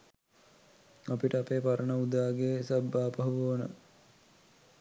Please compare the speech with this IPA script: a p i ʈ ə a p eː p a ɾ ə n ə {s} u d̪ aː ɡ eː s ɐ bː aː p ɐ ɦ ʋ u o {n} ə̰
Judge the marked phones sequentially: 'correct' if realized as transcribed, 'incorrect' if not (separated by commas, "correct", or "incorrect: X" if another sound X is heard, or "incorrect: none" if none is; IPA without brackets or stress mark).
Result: incorrect: none, correct